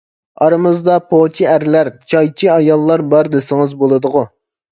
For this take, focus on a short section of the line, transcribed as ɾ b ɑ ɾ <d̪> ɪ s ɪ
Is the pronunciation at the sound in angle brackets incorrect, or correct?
correct